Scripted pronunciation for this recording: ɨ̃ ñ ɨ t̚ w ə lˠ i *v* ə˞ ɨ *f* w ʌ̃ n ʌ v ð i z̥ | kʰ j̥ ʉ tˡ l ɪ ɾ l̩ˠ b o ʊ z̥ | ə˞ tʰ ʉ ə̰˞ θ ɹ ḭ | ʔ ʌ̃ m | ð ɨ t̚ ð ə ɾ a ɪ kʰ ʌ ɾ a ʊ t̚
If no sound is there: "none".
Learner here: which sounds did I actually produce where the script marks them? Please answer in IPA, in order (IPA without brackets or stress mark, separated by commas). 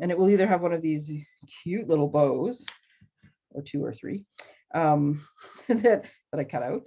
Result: ð, v